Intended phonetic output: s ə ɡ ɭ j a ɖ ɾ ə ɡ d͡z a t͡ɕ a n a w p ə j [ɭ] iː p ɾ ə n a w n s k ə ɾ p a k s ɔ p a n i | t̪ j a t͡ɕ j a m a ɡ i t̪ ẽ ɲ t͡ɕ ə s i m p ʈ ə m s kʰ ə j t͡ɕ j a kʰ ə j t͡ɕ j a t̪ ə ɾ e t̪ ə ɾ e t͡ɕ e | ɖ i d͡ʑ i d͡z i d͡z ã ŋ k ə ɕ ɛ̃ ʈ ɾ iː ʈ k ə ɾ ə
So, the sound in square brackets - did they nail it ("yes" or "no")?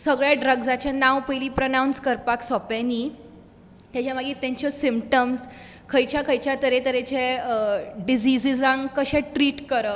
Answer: no